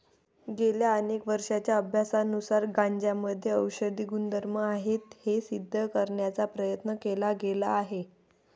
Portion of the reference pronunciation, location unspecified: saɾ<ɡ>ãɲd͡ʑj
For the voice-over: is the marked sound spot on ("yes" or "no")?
yes